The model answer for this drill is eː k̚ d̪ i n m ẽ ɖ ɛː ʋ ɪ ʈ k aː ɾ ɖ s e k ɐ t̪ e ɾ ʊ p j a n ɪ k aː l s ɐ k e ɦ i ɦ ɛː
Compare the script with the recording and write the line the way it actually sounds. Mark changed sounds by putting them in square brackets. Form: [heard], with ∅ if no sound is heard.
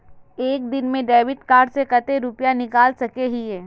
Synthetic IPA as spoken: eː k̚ d̪ [ɪ] n m ẽ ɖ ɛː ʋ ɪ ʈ k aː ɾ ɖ s e k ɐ t̪ e ɾ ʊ p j a n ɪ k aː l s ɐ k e ɦ i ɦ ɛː